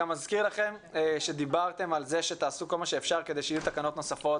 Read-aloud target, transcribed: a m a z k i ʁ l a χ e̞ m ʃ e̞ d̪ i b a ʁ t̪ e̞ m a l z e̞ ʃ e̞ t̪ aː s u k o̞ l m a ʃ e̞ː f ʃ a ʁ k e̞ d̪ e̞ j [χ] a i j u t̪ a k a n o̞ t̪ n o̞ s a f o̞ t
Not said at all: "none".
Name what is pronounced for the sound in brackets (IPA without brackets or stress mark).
ʃ